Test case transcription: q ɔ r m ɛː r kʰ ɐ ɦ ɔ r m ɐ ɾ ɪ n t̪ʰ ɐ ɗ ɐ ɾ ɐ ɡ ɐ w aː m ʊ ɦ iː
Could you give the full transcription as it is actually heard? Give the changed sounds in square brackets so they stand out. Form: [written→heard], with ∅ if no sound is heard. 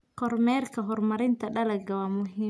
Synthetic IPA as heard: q ɔ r m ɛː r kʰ ɐ ɦ ɔ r m ɐ ɾ ɪ n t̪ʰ ɐ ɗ ɐ [ɾ→l] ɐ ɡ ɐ w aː m ʊ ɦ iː